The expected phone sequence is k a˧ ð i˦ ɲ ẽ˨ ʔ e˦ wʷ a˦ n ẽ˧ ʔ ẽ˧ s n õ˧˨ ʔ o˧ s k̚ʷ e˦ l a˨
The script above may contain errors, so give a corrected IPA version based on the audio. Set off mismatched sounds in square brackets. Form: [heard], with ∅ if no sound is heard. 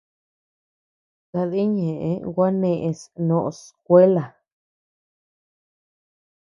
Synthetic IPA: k a˧ ð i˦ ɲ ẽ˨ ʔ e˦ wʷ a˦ n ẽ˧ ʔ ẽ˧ s n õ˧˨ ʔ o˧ s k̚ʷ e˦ l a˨